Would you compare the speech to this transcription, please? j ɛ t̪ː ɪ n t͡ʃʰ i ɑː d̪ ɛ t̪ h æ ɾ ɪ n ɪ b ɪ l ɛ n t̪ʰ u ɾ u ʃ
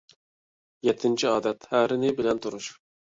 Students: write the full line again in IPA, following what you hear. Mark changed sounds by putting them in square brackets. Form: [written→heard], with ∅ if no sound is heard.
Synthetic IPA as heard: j ɛ [t̪ː→t̪ʰː] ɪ n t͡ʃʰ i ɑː d̪ ɛ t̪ h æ ɾ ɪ n ɪ b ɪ l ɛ n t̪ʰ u ɾ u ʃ